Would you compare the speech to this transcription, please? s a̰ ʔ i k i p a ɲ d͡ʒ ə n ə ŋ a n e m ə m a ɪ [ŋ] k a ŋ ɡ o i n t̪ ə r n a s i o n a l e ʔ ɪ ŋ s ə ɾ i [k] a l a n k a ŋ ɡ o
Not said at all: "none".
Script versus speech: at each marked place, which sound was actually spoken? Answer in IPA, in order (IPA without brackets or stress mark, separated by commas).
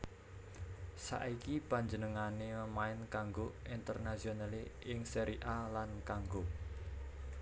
n, ʔ